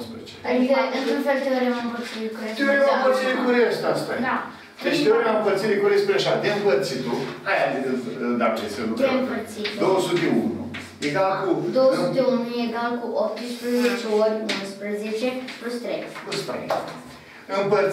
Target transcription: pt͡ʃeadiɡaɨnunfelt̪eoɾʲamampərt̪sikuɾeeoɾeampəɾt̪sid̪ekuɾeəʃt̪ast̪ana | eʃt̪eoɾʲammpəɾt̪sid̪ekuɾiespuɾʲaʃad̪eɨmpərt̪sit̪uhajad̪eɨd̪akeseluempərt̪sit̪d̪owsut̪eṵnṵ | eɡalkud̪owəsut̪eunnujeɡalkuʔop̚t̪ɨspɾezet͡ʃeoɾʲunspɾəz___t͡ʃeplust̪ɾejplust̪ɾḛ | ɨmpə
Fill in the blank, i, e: e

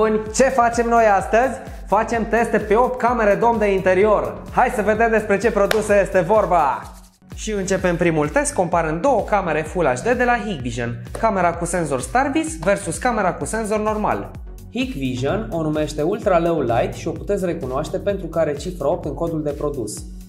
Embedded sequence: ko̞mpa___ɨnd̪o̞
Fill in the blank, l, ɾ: ɾ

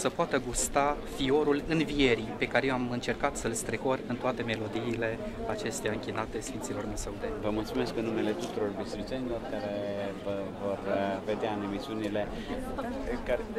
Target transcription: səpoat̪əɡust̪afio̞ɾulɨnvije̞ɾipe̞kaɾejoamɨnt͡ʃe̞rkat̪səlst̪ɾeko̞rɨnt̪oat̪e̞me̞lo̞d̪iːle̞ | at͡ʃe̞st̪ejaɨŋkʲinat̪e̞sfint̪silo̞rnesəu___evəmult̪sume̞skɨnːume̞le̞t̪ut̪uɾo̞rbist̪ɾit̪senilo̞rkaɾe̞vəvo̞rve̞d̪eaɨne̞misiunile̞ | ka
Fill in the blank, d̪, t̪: d̪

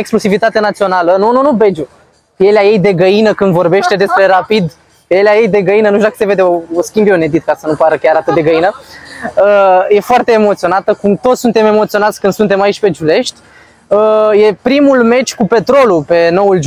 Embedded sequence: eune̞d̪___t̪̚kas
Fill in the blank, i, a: i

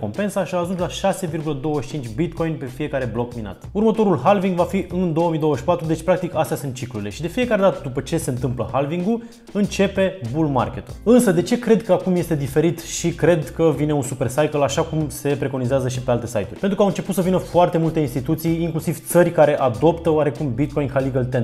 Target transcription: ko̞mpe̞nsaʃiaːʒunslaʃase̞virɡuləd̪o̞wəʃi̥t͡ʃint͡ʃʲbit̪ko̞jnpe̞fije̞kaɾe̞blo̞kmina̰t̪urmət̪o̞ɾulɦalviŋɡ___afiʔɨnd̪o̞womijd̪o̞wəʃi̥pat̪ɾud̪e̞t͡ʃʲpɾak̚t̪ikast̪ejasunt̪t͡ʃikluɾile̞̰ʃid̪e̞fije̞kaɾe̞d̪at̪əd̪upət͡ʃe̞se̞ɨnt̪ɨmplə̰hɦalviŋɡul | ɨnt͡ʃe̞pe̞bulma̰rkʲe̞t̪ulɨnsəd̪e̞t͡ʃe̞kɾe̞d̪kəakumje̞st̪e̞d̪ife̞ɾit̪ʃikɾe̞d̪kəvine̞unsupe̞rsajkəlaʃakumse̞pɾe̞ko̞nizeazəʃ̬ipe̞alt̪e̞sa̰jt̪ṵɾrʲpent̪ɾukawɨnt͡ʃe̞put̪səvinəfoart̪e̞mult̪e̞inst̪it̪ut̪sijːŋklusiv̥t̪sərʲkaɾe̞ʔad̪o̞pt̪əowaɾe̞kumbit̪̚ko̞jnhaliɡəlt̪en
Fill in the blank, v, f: v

